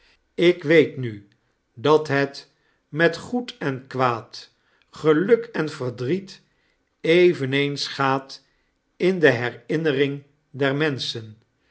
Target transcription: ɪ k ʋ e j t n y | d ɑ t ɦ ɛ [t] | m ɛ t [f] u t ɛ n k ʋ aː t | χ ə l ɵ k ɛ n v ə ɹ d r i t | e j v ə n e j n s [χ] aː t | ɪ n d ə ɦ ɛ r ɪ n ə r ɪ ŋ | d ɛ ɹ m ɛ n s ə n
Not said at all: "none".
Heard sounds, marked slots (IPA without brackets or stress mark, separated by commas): t, χ, χ